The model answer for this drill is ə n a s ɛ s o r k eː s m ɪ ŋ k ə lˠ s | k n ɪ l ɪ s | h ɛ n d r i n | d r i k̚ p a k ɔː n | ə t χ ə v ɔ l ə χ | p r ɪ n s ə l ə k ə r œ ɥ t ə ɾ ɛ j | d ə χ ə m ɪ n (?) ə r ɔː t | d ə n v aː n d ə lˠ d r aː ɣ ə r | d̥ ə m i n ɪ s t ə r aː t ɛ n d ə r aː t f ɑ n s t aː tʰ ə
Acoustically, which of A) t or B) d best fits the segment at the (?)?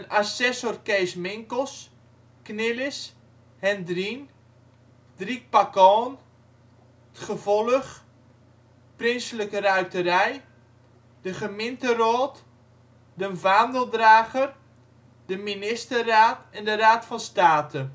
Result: A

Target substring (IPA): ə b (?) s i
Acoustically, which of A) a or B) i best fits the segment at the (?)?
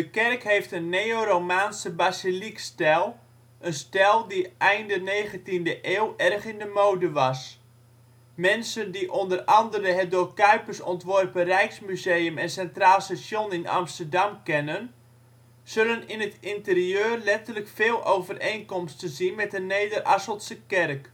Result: A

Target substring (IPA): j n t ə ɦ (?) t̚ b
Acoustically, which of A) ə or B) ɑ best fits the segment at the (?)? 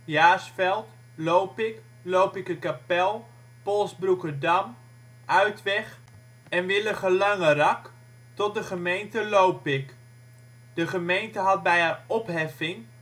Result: B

